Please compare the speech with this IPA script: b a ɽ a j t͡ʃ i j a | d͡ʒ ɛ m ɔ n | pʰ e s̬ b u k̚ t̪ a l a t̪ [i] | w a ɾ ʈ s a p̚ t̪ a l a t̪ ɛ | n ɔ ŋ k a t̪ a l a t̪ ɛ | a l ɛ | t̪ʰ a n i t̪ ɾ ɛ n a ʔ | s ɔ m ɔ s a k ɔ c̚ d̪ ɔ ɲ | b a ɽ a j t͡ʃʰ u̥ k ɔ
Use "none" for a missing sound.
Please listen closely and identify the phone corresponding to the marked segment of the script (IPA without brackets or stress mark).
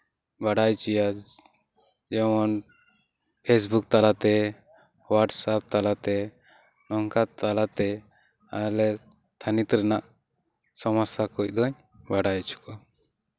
ɛ